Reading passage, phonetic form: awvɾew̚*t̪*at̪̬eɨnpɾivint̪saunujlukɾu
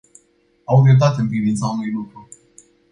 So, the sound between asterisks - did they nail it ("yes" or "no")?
yes